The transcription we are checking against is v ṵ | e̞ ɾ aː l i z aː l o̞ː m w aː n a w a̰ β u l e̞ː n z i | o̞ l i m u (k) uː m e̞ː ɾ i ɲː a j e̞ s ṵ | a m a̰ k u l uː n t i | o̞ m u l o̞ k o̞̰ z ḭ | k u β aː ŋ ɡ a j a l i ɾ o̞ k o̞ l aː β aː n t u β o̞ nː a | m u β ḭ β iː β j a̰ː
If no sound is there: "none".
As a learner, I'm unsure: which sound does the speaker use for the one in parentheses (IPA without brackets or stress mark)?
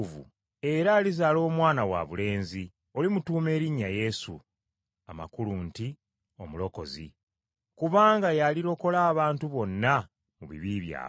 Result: t